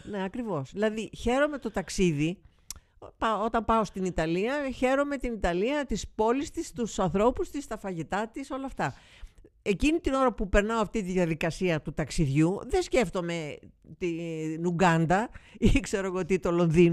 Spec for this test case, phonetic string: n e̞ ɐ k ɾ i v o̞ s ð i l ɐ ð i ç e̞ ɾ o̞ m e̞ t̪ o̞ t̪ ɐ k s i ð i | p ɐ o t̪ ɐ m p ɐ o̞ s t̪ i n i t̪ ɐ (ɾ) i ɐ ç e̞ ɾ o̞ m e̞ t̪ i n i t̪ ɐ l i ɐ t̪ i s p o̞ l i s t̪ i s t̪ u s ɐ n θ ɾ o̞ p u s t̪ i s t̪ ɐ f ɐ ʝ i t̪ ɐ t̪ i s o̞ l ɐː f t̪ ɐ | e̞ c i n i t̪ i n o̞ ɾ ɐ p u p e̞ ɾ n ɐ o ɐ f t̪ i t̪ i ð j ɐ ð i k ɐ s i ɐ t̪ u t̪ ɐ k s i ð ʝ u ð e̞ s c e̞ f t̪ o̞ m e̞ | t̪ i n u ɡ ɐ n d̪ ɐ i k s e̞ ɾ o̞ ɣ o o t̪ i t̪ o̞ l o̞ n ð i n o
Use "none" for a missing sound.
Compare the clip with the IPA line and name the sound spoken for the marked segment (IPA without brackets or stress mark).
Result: l